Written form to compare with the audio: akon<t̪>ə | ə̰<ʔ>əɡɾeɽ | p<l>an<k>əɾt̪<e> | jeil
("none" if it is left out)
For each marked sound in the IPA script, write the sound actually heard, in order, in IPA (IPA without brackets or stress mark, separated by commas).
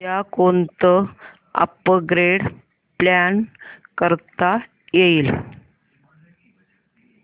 t̪, p, l, k, a